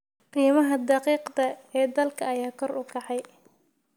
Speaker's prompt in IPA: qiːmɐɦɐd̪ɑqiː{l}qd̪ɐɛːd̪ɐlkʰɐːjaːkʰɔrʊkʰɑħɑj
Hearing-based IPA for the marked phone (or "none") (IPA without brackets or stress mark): none